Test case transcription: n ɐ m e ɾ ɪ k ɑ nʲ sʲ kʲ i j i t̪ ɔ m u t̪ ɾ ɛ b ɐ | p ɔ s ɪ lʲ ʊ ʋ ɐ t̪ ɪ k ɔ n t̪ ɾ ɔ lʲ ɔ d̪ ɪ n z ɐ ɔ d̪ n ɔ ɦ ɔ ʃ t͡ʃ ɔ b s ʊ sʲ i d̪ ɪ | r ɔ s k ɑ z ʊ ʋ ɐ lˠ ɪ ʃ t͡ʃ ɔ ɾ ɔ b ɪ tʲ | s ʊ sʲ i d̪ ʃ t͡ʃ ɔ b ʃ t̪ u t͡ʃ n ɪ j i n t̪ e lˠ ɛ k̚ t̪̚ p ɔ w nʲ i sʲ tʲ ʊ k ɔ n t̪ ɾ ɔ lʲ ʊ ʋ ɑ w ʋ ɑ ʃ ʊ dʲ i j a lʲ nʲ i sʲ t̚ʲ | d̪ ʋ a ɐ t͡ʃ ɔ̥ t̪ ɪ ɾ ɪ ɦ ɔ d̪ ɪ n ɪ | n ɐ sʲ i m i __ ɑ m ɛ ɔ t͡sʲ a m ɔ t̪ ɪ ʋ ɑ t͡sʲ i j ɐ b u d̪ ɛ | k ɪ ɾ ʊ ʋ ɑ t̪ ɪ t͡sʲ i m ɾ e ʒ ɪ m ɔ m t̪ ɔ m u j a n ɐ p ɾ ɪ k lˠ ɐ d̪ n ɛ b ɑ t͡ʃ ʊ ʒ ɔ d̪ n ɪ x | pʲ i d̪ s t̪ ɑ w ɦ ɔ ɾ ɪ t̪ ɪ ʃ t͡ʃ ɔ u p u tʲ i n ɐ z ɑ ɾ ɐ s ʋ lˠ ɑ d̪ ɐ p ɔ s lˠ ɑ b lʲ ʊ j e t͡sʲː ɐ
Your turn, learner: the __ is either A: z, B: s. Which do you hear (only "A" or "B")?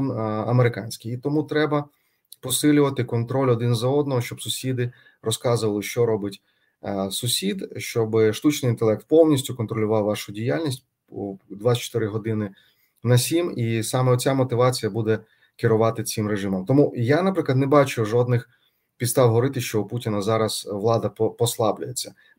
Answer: B